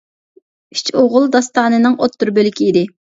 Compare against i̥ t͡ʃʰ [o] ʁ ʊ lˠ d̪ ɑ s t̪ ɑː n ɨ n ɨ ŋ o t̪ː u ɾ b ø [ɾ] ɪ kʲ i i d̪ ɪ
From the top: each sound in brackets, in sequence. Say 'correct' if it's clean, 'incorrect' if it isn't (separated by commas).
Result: correct, incorrect